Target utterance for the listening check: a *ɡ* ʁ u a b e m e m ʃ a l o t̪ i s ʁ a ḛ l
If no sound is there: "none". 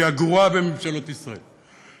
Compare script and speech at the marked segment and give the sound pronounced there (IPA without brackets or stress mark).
ɡ